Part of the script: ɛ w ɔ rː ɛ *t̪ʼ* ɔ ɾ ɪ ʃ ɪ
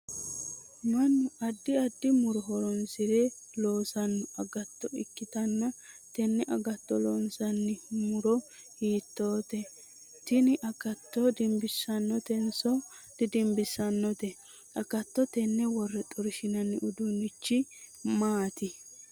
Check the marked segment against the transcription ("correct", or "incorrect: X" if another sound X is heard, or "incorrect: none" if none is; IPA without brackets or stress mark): correct